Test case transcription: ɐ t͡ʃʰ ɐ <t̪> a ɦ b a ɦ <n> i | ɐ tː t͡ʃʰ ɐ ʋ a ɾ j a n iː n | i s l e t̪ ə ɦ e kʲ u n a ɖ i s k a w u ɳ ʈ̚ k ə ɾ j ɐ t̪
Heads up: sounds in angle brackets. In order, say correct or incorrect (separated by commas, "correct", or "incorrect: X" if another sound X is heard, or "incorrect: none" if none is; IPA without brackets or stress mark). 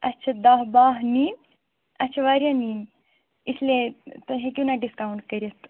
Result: incorrect: d̪, correct